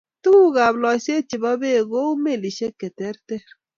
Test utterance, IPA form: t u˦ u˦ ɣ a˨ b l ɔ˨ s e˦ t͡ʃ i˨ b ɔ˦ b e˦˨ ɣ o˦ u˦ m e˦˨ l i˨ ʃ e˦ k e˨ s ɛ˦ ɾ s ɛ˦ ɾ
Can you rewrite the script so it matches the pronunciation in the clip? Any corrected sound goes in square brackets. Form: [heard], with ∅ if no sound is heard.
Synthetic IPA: t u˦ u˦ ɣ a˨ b l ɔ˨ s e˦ t͡ʃ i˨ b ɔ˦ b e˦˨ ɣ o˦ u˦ m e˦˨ l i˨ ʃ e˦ k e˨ [t] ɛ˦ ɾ [t] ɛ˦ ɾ